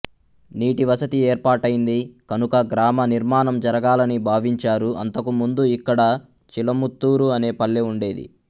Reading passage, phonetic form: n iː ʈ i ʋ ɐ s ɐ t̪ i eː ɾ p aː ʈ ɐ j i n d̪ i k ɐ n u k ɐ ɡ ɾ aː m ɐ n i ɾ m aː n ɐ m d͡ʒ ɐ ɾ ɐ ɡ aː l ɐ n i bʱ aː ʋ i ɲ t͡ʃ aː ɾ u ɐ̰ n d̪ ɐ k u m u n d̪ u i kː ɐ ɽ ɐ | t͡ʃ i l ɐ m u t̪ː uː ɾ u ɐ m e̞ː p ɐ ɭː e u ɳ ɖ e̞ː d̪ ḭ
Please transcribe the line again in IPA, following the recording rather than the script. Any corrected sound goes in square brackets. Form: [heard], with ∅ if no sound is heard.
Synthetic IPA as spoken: n iː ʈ i ʋ ɐ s ɐ t̪ i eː ɾ p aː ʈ ɐ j i n d̪ i k ɐ n u k ɐ ɡ ɾ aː m ɐ n i ɾ m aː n ɐ m d͡ʒ ɐ ɾ ɐ ɡ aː l ɐ n i bʱ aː ʋ i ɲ t͡ʃ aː ɾ u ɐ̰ n [t̪] ɐ k u m u n d̪ u i kː ɐ ɽ ɐ | t͡ʃ i l ɐ m u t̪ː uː ɾ u ɐ [n] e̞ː p ɐ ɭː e u ɳ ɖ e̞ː d̪ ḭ